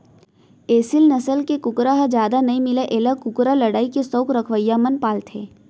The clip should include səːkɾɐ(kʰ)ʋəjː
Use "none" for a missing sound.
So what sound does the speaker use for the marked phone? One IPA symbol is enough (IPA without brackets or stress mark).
kʰ